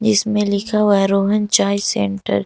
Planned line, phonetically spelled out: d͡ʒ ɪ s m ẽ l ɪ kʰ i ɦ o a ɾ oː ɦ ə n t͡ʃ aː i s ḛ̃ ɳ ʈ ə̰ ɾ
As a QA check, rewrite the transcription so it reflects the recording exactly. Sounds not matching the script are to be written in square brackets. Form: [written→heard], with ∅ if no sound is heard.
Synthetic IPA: d͡ʒ ɪ s m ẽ l ɪ kʰ [i→a] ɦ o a ɾ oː ɦ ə n t͡ʃ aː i s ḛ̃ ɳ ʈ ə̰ ɾ

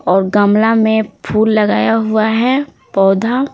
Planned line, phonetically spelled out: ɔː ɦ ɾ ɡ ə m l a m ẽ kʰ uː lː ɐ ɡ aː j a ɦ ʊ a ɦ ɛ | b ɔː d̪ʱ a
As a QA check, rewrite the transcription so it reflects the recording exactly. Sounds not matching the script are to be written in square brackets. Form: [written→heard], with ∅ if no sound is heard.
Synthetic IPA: ɔː [ɦ→∅] ɾ ɡ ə m l a m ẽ [kʰ→pʰ] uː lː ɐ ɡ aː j a ɦ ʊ a ɦ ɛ | [b→p] ɔː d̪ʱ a

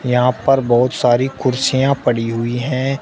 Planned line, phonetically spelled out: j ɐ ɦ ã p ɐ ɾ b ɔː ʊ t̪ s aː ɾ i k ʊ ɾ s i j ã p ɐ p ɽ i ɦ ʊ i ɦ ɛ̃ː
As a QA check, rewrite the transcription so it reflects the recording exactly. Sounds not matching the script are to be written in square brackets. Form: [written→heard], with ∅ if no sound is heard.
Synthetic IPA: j ɐ ɦ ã p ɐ ɾ b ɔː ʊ t̪ s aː ɾ i k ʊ ɾ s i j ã p ɐ [p→∅] ɽ i ɦ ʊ i ɦ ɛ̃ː

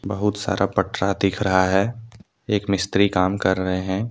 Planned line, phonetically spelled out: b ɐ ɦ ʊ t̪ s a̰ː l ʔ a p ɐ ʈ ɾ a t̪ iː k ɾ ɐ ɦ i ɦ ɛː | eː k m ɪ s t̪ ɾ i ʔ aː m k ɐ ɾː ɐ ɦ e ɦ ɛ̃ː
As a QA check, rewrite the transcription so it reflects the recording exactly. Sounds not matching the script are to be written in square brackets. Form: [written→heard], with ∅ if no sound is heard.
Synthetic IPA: b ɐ ɦ ʊ t̪ s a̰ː [l→ɾ] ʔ a p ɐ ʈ ɾ a [t̪→d̪] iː [k→kʰ] ɾ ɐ ɦ [i→a] ɦ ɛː | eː k m ɪ s t̪ ɾ i [ʔ→k] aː m k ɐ ɾː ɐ ɦ e ɦ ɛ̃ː

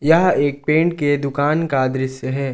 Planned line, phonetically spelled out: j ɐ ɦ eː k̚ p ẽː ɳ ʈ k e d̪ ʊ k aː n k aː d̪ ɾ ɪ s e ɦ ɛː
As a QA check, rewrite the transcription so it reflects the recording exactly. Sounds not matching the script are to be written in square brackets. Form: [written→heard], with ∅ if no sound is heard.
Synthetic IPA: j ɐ ɦ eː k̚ p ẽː ɳ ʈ k e d̪ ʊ k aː n k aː d̪ ɾ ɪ s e ɦ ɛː

